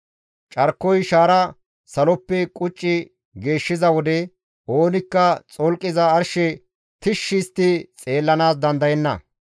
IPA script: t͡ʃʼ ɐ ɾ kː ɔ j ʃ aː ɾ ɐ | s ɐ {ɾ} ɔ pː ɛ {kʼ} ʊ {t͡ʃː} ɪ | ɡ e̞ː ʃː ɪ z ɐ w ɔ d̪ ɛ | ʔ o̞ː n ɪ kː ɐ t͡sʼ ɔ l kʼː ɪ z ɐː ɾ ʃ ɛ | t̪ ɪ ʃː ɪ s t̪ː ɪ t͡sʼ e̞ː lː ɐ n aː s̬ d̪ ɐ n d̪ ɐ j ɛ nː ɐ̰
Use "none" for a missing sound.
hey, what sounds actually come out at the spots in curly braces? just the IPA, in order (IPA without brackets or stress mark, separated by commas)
l, kʼ, t͡ʃʼː